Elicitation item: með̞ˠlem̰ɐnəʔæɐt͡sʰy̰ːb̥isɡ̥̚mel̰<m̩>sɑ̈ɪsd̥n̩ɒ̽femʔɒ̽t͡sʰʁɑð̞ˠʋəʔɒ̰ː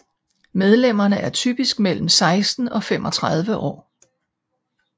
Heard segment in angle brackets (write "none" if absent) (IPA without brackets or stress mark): m̩